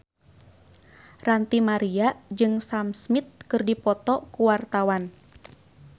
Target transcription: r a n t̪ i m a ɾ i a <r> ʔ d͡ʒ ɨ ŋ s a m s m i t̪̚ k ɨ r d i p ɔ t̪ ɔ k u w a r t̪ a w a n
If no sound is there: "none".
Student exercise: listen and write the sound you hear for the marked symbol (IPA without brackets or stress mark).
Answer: none